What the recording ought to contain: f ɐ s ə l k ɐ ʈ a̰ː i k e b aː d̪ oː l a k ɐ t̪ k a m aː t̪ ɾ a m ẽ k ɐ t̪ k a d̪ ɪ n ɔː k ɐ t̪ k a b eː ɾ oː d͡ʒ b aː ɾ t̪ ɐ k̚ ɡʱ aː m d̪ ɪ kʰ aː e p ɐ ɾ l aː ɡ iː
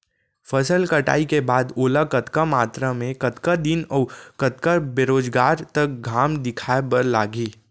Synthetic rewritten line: f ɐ s ə l k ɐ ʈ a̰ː i k e b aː d̪ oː l a k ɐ t̪ k a m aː t̪ ɾ a m ẽ k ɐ t̪ k a d̪ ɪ n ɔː k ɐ t̪ k a b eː ɾ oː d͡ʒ ɡ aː ɾ t̪ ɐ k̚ ɡʱ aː m d̪ ɪ kʰ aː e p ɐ ɾ l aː ɡ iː